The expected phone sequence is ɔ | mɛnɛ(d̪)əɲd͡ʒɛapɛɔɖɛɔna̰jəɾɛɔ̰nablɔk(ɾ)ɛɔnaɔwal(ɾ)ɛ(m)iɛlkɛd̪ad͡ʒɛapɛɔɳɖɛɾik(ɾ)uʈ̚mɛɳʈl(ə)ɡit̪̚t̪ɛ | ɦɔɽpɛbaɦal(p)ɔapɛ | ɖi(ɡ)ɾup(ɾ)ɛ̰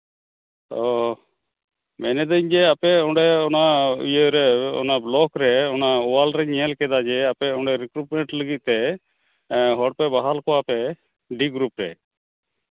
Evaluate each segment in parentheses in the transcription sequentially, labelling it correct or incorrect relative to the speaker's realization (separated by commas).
correct, correct, correct, incorrect, correct, correct, incorrect, correct, correct